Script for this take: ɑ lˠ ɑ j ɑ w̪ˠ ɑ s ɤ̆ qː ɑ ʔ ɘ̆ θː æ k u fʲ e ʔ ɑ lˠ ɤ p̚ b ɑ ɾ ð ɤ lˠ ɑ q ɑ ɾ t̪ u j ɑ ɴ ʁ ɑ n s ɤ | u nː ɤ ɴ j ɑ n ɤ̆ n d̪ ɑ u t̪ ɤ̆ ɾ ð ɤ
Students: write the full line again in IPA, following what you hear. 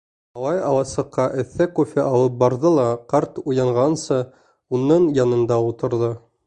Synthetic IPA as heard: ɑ lˠ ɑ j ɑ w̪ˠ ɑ s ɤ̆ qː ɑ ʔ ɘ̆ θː æ k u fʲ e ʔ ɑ lˠ ɤ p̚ b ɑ ɾ ð ɤ lˠ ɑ q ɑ ɾ t̪ u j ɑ ɴ ʁ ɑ n s ɤ | u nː ɤ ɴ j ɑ n ɤ̆ n d̪ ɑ u t̪ ɤ̆ ɾ ð ɤ